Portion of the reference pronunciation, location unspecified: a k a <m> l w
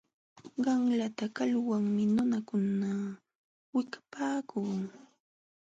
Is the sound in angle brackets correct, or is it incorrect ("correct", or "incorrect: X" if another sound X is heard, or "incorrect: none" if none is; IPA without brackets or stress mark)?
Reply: incorrect: none